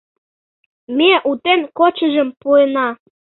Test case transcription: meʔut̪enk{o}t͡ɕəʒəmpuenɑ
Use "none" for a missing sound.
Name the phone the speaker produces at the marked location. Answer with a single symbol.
o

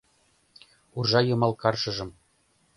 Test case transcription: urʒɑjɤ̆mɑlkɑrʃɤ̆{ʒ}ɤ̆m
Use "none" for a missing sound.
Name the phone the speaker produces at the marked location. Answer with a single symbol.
ʒ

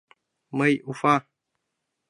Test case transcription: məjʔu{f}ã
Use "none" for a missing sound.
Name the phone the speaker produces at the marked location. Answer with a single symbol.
f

